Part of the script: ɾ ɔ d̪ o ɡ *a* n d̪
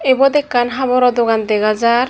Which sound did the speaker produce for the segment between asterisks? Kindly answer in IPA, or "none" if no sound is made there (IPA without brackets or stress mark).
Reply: a